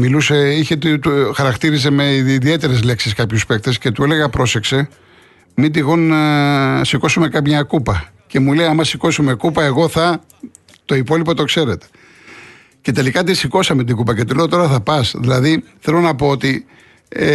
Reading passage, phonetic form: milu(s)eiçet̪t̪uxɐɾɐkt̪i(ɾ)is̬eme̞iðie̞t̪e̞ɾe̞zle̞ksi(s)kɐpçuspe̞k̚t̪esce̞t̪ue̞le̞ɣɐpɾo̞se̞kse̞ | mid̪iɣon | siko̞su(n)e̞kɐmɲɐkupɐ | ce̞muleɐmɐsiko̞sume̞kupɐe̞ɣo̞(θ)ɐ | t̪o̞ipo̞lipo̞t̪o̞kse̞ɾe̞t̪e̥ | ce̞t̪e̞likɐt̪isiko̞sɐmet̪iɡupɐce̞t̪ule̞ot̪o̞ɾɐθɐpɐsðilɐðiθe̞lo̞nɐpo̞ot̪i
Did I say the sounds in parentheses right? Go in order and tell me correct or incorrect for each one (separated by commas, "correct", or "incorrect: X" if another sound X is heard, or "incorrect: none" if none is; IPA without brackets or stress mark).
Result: correct, correct, correct, incorrect: m, correct